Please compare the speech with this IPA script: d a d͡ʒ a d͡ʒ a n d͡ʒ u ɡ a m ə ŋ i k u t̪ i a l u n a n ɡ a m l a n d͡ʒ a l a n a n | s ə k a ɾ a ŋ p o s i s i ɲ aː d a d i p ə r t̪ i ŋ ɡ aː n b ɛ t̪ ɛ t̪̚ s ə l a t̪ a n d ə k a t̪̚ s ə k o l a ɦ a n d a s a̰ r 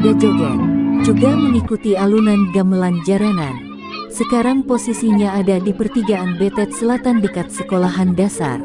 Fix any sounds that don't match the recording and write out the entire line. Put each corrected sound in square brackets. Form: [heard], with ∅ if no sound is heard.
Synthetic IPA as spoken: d a d͡ʒ a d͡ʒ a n d͡ʒ u ɡ a m ə ŋ i k u t̪ i a l u n a n ɡ a m l a n d͡ʒ a [ɾ] a n a n | s ə k a ɾ a ŋ p o s i s i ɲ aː d a d i p ə r t̪ i [∅] ɡ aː n b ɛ t̪ ɛ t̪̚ s ə l a t̪ a n d ə k a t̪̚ s ə k o l a ɦ a n d a s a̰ r